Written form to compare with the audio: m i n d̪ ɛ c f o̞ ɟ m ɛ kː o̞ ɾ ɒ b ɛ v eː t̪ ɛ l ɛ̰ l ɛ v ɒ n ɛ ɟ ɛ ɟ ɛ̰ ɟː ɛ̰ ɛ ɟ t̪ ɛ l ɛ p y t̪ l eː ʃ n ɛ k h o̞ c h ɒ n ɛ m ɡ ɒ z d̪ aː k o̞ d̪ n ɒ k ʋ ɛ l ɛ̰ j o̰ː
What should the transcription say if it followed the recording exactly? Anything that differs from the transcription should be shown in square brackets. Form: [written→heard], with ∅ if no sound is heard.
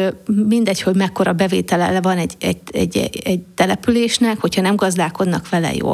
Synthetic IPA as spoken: m i n d̪ ɛ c [f→h] o̞ ɟ m ɛ kː o̞ ɾ ɒ b ɛ v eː t̪ ɛ l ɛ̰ l ɛ v ɒ n ɛ ɟ ɛ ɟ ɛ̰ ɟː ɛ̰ ɛ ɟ t̪ ɛ l ɛ p y [t̪→∅] l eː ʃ n ɛ k h o̞ c h ɒ n ɛ m ɡ ɒ z d̪ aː k o̞ d̪ n ɒ k ʋ ɛ l ɛ̰ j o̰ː